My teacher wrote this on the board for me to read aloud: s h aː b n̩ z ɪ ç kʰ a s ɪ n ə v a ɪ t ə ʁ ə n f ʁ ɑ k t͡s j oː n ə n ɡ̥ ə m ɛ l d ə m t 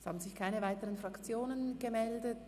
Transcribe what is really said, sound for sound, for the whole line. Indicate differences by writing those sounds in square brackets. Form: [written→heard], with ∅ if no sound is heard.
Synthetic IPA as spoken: s h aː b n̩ z ɪ ç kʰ a [s→∅] ɪ n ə v a ɪ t ə ʁ ə n f ʁ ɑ k t͡s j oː n ə n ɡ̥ ə m ɛ l d ə [m→∅] t